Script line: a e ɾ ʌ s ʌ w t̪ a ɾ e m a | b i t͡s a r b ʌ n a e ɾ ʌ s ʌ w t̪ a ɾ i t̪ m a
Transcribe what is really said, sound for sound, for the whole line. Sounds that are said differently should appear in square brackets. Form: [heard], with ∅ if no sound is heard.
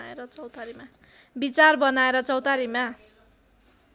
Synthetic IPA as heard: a e ɾ ʌ [t͡s] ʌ w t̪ a ɾ [i] m a | b i t͡s a r b ʌ n a e ɾ ʌ [t͡s] ʌ w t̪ a ɾ i [∅] m a